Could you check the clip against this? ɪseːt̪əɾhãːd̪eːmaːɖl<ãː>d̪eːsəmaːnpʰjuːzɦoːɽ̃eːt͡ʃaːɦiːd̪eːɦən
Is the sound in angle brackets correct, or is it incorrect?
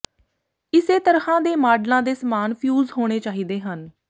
correct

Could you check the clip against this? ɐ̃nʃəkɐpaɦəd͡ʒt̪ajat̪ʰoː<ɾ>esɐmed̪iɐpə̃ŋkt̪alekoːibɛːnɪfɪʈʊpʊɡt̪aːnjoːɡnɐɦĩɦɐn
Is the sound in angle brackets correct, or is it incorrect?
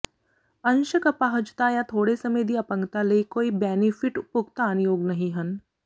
incorrect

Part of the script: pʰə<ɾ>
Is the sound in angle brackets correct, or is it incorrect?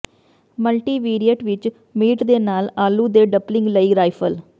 incorrect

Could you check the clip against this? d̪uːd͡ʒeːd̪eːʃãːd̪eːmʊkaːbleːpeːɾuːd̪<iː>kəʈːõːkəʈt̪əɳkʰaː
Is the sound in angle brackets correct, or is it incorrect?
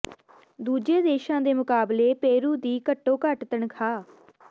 correct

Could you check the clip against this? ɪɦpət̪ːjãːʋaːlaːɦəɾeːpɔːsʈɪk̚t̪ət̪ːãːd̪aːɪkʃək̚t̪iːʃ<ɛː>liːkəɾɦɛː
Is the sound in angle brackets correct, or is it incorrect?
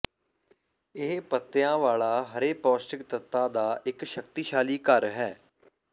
incorrect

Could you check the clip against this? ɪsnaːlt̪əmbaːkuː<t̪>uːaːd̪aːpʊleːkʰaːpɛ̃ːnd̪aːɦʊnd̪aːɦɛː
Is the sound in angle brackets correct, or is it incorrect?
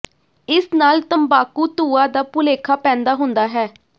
correct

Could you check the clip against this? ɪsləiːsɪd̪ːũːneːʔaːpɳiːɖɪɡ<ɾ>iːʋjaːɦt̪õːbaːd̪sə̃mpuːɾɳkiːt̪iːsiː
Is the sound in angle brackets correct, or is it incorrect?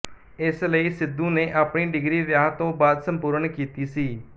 correct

